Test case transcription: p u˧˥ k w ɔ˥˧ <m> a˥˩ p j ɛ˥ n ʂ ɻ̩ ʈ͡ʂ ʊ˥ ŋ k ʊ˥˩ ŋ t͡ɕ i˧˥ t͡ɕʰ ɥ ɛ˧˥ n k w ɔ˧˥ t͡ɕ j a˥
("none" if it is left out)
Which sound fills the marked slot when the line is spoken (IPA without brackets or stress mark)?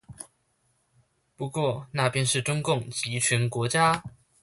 n